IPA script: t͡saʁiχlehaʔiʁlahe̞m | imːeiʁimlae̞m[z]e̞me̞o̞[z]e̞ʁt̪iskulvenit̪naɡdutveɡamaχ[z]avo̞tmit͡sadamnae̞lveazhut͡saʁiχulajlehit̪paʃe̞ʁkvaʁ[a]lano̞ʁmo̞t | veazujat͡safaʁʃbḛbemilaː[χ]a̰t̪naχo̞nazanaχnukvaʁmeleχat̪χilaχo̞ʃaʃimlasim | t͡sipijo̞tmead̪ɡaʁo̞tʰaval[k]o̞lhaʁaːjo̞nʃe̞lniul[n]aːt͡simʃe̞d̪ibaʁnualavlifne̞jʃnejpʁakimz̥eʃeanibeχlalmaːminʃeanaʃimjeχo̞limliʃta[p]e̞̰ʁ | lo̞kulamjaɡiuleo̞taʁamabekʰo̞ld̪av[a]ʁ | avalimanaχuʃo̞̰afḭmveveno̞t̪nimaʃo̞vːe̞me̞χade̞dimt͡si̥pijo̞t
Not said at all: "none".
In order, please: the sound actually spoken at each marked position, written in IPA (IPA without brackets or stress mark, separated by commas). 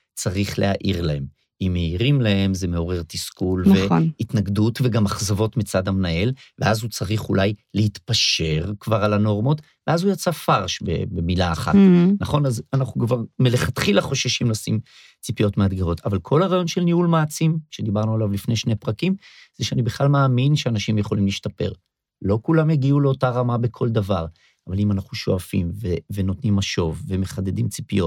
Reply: z, ʁ, z, a, χ, kʰ, m, p, a